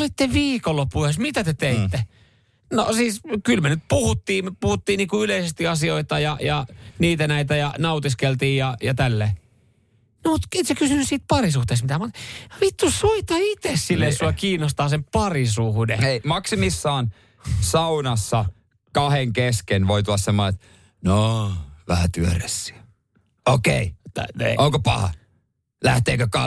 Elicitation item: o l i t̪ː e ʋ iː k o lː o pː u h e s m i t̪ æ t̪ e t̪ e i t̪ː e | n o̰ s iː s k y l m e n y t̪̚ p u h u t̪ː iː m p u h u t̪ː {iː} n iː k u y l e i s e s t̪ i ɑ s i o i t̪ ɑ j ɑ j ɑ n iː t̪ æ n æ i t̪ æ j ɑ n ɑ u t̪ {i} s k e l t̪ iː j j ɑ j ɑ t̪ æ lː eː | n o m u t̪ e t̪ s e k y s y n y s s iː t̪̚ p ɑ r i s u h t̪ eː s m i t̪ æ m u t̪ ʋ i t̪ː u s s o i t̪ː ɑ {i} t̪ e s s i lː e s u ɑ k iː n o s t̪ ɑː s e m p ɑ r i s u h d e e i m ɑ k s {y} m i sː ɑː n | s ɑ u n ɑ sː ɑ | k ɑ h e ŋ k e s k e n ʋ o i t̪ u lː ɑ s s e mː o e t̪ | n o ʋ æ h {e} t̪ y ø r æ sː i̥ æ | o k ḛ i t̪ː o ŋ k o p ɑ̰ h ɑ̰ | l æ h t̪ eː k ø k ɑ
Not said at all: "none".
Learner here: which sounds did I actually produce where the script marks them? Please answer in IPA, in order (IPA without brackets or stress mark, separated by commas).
iː, i, i, i, æ